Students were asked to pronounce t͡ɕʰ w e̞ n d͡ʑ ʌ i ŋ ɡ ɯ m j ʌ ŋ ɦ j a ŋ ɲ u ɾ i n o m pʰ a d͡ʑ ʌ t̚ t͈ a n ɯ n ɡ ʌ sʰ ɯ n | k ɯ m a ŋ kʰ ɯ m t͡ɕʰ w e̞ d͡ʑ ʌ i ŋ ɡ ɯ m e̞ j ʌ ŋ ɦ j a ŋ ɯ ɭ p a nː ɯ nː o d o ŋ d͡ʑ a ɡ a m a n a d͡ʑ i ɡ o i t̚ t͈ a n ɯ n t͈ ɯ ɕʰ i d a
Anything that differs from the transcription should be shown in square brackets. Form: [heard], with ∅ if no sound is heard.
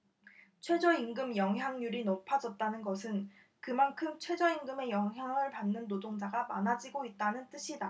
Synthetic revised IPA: t͡ɕʰ w e̞ [∅] d͡ʑ ʌ i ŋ ɡ ɯ m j ʌ ŋ ɦ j a ŋ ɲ u ɾ i n o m pʰ a d͡ʑ ʌ t̚ t͈ a n ɯ n ɡ ʌ sʰ ɯ n | k ɯ m a [n] kʰ ɯ m t͡ɕʰ w e̞ d͡ʑ ʌ i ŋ ɡ ɯ m e̞ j ʌ ŋ ɦ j a ŋ ɯ ɭ p a nː ɯ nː o d o ŋ d͡ʑ a ɡ a m a n a d͡ʑ i ɡ o i t̚ t͈ a n ɯ n t͈ ɯ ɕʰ i d a